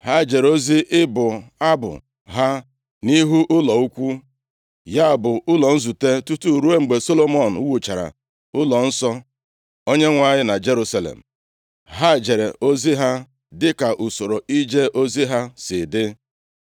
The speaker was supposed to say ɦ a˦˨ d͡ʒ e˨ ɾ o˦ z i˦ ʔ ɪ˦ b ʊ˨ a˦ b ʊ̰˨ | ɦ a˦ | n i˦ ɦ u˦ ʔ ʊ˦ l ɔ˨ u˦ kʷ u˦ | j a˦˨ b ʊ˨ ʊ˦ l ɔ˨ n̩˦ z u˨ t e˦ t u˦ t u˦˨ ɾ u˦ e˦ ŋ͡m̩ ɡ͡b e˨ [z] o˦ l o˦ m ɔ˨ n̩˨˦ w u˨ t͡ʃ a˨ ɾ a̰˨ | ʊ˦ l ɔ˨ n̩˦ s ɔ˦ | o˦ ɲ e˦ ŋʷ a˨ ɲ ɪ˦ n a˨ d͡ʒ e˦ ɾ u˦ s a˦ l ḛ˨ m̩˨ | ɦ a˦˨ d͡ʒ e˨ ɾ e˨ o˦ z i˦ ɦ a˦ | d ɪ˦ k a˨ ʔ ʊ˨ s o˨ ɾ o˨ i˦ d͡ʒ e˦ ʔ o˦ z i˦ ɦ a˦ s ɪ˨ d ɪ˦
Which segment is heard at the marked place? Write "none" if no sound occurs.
s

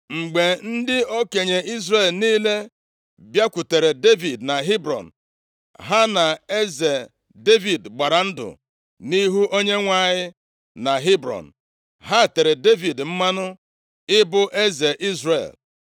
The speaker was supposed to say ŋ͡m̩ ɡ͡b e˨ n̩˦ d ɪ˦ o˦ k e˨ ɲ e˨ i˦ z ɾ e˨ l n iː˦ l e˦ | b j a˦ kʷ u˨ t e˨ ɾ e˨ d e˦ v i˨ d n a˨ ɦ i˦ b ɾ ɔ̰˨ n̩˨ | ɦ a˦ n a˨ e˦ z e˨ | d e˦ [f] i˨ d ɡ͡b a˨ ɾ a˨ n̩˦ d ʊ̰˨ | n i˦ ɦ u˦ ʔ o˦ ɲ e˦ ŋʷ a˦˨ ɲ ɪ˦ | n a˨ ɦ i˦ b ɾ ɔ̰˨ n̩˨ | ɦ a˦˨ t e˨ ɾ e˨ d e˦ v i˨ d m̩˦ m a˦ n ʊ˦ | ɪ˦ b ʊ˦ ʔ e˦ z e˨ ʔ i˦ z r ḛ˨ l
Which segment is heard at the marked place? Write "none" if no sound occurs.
v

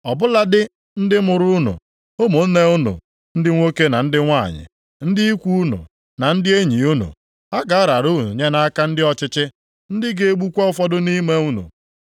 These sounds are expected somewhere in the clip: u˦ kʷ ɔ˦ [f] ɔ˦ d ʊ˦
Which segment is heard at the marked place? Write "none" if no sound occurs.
f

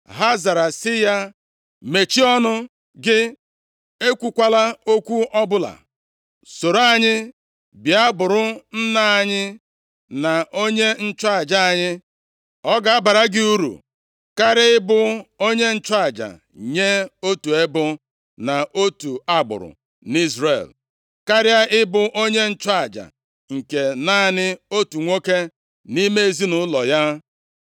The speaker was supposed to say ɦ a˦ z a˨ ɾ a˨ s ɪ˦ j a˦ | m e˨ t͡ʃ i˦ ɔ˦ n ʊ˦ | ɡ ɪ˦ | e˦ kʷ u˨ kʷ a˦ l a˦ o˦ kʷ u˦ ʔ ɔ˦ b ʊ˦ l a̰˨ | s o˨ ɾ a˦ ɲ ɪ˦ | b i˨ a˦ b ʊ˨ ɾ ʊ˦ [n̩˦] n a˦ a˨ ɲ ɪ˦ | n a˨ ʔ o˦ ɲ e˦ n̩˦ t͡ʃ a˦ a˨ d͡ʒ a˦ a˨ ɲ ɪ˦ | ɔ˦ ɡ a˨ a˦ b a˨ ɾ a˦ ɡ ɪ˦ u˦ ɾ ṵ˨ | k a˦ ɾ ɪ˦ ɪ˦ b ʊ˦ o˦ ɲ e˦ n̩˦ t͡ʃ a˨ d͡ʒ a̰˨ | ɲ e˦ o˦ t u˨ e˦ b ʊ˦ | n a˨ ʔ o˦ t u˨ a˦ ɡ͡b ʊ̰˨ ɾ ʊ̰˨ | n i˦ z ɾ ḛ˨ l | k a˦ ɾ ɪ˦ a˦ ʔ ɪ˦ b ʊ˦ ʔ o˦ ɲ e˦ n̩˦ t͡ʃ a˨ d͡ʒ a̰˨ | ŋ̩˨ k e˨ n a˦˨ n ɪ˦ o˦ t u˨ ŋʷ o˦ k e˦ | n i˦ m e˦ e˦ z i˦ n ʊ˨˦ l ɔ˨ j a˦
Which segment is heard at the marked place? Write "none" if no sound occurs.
n̩˦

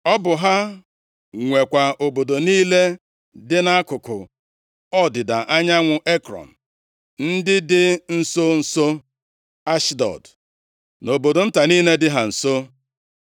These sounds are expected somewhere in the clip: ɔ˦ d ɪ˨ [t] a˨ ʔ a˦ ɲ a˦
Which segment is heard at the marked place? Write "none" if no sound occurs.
d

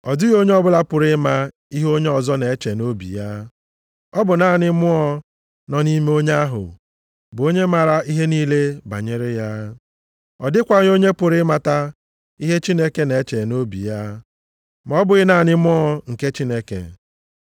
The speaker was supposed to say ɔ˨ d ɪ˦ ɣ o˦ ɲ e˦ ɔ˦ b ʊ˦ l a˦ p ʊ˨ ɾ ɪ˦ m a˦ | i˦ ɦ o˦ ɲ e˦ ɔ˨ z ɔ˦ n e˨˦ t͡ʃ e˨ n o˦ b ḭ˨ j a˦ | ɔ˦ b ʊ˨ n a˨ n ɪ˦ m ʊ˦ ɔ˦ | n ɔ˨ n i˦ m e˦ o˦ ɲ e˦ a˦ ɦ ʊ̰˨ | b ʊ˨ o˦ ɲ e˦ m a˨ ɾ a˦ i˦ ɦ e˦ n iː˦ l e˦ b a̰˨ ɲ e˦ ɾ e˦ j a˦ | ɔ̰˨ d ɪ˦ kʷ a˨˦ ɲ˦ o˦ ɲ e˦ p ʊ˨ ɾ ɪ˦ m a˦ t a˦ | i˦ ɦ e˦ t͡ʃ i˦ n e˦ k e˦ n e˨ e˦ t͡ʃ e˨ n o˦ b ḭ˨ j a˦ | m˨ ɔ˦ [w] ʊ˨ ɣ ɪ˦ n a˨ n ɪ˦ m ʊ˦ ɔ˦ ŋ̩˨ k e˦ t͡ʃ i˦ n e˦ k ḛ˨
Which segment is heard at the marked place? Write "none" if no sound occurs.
b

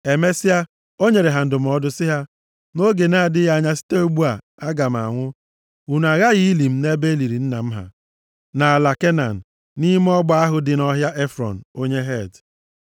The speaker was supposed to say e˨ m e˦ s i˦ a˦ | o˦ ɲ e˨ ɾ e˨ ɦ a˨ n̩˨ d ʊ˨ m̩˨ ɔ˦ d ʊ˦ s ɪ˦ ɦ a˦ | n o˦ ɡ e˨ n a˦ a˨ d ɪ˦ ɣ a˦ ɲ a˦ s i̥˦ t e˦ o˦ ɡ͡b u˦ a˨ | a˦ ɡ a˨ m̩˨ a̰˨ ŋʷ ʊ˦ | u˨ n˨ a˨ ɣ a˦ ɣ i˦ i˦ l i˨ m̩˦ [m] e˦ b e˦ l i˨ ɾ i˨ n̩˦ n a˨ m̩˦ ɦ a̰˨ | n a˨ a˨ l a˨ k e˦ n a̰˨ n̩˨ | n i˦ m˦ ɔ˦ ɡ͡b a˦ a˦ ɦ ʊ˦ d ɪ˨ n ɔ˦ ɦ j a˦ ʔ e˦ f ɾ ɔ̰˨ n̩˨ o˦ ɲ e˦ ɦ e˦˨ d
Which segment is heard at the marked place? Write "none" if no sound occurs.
n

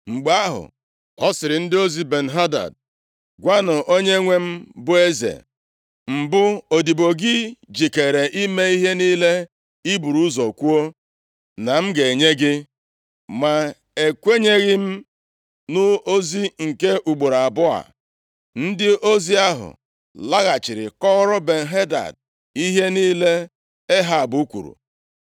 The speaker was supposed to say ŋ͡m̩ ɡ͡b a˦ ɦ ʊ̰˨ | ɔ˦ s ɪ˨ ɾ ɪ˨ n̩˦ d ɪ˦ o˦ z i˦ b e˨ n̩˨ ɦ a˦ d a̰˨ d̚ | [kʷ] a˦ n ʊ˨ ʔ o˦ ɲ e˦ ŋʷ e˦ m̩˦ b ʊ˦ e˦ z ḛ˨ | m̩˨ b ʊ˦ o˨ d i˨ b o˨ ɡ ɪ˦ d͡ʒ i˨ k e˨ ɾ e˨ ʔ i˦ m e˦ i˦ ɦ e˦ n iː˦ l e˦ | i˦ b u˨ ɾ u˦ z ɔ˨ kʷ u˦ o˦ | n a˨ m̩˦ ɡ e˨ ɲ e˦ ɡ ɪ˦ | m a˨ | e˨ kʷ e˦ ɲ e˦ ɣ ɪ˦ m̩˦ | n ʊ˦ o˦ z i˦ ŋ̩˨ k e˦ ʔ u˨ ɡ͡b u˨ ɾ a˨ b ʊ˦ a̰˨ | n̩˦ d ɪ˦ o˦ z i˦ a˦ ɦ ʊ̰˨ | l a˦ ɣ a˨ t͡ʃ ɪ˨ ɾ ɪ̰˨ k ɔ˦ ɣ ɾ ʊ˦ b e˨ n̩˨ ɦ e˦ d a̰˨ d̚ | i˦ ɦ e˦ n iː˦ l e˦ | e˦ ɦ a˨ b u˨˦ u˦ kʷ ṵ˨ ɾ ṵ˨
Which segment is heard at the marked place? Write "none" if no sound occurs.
ɡʷ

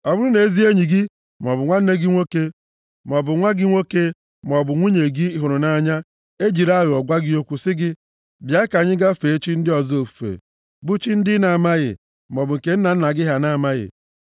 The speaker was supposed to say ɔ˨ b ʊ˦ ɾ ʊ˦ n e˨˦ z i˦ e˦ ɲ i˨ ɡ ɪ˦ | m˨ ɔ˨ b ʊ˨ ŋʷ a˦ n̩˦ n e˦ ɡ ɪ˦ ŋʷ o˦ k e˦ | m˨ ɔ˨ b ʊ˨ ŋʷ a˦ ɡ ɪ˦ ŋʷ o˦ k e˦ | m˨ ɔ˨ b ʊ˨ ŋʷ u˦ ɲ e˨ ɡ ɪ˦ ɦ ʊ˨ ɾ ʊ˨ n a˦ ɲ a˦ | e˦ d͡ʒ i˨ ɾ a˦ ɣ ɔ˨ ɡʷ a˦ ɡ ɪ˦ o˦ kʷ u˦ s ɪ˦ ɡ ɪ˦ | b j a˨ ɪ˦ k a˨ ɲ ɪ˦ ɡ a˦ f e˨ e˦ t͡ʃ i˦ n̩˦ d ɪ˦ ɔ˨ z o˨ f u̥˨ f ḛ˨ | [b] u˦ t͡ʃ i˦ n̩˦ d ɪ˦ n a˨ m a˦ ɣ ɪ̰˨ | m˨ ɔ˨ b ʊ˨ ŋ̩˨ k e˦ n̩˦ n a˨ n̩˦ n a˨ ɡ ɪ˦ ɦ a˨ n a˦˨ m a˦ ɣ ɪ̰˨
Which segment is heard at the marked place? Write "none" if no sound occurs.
b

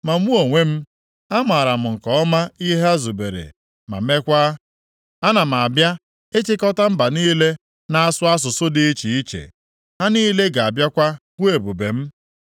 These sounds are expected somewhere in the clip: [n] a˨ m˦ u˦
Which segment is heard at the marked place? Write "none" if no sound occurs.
m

